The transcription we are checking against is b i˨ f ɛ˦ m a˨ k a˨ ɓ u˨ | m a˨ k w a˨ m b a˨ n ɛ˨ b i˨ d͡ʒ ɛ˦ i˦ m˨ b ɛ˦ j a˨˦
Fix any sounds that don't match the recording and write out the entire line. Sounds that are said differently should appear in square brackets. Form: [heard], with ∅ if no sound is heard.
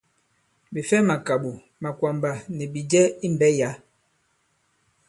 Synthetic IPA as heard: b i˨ f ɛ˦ m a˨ k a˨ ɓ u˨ | m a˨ k w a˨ m b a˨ n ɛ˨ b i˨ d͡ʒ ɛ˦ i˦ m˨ b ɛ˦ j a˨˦